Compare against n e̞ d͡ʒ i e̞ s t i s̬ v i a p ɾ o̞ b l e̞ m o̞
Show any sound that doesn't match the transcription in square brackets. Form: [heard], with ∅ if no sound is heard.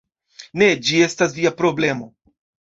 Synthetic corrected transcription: n e̞ d͡ʒ i e̞ s t [a] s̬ v i a p ɾ o̞ b l e̞ m o̞